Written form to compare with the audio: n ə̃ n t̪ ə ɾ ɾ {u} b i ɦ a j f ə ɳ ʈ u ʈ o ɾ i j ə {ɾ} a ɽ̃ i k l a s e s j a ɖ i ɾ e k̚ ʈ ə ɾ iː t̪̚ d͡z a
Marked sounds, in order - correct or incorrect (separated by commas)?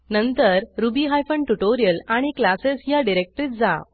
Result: correct, incorrect